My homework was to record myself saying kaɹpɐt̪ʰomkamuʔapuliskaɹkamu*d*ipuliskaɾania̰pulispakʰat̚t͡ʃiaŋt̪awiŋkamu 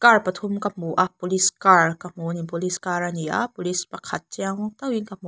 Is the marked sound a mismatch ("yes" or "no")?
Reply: yes